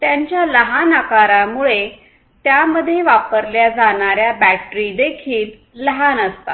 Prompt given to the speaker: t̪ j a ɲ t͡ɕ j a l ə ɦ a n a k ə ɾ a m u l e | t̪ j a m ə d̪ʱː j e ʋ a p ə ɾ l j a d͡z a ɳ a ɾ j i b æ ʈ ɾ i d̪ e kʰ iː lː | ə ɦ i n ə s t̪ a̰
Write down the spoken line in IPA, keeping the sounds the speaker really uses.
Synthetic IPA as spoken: t̪ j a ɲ t͡ɕ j a l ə ɦ a n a k a ɾ a m u ɭ e | t̪ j a m ə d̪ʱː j e ʋ a p ə ɾ l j a d͡z a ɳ a ɾ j a b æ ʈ ɾ i d̪ e kʰ iː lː | ə ɦ a n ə s t̪ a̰